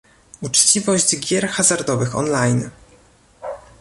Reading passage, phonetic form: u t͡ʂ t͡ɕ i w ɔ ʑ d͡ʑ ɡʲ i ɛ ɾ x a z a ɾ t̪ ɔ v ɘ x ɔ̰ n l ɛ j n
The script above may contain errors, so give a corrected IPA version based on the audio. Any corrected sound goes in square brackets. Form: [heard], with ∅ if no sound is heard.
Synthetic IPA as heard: u t͡ʂ t͡ɕ i [v] ɔ ʑ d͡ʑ ɡʲ [j] ɛ ɾ x a z a ɾ [d̪] ɔ v ɘ x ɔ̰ n l [a] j n